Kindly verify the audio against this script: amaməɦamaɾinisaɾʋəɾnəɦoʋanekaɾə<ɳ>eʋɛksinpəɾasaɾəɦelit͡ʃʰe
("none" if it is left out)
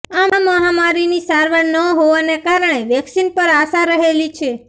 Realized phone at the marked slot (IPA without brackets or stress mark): ɳ